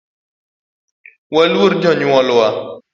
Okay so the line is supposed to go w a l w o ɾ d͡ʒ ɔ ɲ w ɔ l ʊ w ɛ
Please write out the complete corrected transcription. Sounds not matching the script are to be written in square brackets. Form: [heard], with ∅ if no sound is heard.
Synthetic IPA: w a l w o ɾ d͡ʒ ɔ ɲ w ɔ l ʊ w [a]